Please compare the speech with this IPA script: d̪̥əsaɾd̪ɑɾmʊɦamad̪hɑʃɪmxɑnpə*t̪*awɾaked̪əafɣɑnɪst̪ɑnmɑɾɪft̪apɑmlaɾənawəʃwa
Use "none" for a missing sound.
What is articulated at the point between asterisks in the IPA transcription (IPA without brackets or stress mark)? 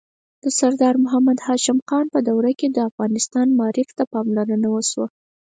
d̪